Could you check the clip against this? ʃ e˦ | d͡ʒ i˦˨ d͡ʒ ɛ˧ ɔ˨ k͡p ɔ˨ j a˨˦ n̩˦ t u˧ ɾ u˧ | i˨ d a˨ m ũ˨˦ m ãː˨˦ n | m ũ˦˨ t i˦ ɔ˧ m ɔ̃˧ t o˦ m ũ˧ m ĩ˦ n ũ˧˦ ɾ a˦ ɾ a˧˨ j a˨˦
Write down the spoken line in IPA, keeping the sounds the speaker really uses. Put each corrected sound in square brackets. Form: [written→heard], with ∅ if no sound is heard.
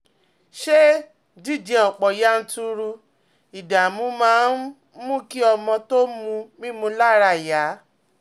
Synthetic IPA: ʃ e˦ | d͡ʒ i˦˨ d͡ʒ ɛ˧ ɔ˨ k͡p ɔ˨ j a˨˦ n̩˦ t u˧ ɾ u˧ | i˨ d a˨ m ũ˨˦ m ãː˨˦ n | m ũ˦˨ [t→k] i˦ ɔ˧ m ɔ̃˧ t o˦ m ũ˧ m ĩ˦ [n→m] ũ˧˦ [ɾ→l] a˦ ɾ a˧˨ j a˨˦